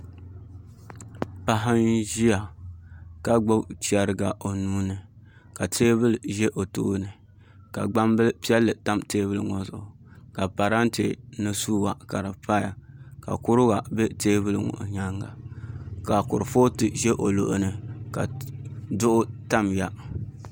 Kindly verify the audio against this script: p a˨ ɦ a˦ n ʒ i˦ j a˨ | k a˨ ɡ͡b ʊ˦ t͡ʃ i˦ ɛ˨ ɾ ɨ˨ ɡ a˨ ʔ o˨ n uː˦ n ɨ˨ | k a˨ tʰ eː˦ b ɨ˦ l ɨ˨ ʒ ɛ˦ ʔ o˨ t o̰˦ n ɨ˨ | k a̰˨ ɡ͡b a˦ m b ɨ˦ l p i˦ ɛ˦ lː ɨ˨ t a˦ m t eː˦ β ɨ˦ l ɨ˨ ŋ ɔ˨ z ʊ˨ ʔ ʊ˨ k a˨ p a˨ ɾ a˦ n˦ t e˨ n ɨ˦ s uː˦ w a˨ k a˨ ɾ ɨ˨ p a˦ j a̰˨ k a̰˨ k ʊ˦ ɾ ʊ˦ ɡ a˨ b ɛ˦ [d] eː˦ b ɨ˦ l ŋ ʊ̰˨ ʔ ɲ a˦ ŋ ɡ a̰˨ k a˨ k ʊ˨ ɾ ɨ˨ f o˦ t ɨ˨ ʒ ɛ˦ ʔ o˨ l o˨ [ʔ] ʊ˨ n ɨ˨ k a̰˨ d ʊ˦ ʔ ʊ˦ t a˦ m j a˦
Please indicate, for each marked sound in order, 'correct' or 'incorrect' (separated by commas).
incorrect, correct